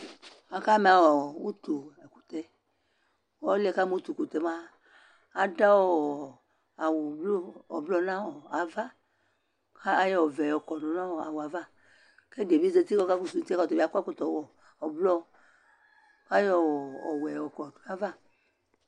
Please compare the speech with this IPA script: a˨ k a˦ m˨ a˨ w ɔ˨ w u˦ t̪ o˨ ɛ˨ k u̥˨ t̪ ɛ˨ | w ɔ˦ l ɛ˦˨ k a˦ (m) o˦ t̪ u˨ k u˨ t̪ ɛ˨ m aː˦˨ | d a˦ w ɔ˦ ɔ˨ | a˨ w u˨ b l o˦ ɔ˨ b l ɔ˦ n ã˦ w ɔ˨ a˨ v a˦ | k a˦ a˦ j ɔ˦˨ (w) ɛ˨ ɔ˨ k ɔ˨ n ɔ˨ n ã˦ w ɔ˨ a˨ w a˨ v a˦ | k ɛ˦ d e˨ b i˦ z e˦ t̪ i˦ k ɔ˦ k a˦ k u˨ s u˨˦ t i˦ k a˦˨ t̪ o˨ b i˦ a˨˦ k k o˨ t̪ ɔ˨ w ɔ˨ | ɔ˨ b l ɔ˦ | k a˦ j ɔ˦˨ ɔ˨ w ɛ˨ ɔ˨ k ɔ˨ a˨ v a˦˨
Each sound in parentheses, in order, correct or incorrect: correct, incorrect: v

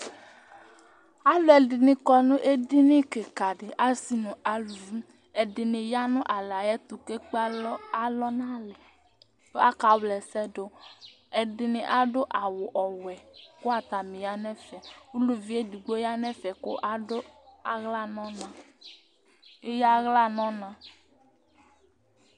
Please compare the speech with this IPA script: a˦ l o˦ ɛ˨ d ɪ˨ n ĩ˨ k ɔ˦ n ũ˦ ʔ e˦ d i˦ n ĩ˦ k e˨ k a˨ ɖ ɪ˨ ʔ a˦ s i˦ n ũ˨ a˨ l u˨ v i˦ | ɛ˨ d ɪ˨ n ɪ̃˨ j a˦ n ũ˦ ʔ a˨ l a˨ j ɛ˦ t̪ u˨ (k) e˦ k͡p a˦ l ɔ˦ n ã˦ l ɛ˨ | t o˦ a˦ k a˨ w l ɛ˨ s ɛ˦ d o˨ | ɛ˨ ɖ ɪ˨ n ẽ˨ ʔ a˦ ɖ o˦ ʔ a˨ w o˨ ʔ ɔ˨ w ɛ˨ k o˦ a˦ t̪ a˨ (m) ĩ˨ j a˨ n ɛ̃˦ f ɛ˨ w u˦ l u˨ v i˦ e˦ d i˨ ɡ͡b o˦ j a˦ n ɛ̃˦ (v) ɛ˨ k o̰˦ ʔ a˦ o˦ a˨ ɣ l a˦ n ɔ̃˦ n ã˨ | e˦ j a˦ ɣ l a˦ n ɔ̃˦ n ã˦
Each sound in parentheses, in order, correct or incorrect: correct, correct, incorrect: f

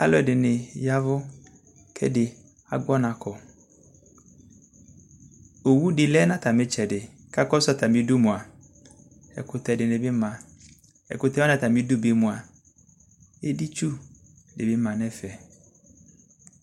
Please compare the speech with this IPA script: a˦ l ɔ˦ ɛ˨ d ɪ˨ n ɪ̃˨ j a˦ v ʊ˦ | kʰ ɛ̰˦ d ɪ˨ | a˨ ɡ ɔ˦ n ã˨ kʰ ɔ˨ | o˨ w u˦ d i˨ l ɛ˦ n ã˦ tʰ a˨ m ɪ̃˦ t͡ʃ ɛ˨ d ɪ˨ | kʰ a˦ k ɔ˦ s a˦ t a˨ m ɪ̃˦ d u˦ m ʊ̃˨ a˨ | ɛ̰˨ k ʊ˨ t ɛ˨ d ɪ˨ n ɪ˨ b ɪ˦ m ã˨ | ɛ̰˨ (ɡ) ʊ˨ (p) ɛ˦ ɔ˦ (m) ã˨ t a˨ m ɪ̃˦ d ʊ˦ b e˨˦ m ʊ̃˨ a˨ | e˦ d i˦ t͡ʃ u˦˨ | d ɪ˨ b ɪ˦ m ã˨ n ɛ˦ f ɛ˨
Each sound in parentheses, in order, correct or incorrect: incorrect: k, incorrect: t, incorrect: n

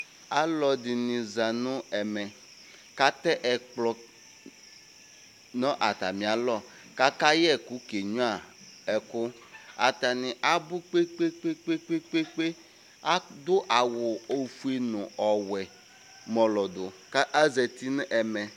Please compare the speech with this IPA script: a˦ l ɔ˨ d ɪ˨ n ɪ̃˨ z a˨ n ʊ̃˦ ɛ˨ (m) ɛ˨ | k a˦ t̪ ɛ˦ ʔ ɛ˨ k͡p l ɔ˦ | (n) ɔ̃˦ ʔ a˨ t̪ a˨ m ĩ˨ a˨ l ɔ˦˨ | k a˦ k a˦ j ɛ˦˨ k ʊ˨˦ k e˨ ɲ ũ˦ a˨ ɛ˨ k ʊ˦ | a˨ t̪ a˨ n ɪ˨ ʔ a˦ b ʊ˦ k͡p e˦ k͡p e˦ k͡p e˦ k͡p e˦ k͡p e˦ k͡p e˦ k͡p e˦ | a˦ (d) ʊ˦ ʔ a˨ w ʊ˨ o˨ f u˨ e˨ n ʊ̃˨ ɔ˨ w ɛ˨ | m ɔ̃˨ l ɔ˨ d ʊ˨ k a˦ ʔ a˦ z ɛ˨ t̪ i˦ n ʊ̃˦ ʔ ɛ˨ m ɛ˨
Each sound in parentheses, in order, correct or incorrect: correct, correct, correct

